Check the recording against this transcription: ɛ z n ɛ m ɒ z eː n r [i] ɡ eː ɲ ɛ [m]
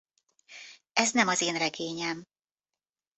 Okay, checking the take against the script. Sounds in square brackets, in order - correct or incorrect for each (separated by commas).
incorrect, correct